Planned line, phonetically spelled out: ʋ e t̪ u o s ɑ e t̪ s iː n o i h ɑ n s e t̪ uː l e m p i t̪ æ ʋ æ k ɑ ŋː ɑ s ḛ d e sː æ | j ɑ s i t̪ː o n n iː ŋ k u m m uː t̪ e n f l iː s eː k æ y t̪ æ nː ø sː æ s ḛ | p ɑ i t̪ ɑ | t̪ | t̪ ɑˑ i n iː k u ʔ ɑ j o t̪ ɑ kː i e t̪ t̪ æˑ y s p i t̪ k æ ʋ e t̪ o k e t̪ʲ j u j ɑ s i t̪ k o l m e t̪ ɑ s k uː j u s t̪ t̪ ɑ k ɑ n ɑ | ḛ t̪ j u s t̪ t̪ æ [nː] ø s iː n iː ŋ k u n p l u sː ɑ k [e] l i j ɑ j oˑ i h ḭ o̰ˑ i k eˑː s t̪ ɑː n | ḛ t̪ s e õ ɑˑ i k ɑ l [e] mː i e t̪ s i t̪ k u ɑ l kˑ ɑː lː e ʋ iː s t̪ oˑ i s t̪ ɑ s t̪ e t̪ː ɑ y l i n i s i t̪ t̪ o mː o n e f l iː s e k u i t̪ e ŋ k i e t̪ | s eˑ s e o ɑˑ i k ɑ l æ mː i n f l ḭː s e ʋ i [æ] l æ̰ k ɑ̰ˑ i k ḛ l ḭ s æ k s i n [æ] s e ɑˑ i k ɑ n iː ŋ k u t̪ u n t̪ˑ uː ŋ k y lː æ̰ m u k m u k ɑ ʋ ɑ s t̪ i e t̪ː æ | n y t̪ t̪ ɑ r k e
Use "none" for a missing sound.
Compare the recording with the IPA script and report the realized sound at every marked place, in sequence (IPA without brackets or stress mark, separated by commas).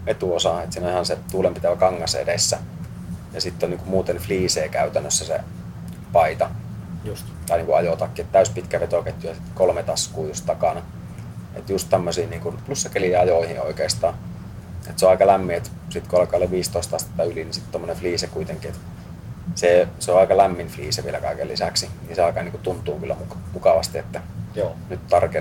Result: mː, e, æ, e, i